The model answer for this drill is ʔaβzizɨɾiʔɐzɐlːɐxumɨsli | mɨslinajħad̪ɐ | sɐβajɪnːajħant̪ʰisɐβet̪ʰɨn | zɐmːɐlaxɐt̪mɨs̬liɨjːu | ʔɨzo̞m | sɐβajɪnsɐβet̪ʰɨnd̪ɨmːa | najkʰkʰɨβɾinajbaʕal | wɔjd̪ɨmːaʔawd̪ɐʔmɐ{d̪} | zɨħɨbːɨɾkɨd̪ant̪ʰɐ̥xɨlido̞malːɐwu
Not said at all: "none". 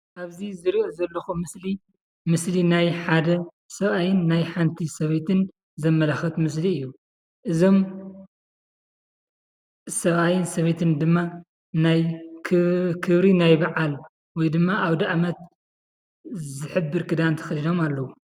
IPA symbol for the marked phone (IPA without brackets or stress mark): t̪